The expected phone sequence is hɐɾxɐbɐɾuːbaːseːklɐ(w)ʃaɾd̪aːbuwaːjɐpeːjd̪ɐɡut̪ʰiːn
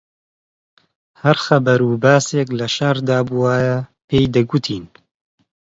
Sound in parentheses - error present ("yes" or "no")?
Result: yes